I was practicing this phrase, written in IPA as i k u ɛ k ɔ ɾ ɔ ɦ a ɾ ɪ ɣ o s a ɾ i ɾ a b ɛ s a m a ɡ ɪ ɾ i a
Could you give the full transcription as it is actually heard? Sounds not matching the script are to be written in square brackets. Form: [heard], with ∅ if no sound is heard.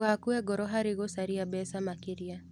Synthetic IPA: [a] k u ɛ [ɡ] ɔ ɾ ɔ ɦ a ɾ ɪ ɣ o s a ɾ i [∅] a b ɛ s a m a [k] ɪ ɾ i a